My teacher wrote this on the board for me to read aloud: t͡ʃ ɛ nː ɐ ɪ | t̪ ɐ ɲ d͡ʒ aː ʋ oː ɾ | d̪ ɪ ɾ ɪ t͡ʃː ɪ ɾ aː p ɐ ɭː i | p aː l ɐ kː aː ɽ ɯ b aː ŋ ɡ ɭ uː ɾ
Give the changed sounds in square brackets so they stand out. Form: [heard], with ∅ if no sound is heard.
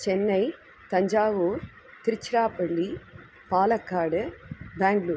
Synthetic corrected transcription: t͡ʃ ɛ nː ɐ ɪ | t̪ ɐ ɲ d͡ʒ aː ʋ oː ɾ | [t̪] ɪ ɾ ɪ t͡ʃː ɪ ɾ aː p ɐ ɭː i | p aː l ɐ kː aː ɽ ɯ b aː ŋ ɡ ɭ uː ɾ